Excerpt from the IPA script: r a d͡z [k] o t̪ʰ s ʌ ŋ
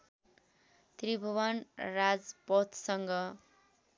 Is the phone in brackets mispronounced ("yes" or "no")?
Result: yes